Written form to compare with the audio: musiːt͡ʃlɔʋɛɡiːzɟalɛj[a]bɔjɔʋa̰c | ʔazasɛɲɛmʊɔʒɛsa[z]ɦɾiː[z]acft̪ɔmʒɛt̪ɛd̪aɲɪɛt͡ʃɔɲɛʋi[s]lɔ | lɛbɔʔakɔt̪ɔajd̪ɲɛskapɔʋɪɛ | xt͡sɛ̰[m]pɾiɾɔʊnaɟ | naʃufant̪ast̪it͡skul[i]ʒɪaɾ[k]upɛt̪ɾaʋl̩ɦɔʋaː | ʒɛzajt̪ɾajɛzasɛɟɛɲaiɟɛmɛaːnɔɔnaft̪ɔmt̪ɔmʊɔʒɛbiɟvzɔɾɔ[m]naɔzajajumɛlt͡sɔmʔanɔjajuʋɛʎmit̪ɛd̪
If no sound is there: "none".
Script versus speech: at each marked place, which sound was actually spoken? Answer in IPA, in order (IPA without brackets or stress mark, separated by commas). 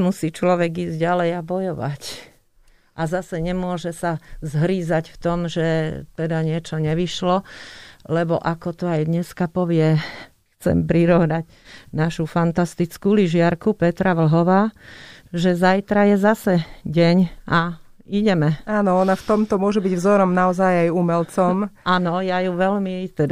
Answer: a, z, z, ʃ, m, i, k, m